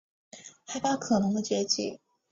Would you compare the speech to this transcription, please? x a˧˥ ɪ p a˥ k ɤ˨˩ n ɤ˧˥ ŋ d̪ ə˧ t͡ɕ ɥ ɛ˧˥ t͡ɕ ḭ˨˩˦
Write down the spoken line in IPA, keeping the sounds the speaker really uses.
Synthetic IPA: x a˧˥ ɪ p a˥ kʰ ɤ˨˩ n ɤ˧˥ ŋ d̪ ə˧ t͡ɕ ɥ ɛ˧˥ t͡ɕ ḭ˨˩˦